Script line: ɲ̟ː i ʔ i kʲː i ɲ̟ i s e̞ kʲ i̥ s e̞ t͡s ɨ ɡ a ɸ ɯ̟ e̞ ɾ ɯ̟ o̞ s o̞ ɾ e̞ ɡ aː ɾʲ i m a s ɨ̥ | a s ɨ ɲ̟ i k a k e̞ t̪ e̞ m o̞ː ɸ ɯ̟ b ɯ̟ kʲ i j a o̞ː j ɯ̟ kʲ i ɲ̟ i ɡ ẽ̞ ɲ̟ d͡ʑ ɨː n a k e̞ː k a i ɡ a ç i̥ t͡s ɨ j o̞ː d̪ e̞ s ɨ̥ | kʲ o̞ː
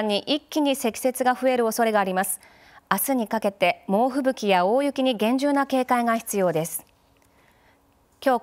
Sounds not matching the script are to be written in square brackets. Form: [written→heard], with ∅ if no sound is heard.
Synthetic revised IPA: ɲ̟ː i ʔ i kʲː i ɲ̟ i s e̞ kʲ i̥ s e̞ t͡s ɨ ɡ a ɸ ɯ̟ e̞ ɾ ɯ̟ o̞ s o̞ ɾ e̞ ɡ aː ɾʲ i m a s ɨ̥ | a s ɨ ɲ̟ i k a k e̞ t̪ e̞ m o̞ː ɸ ɯ̟ b ɯ̟ kʲ i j a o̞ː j ɯ̟ kʲ i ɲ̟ i ɡ ẽ̞ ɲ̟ d͡ʑ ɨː n a k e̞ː k a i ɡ a ç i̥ t͡s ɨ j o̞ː d̪ e̞ s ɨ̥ | kʲ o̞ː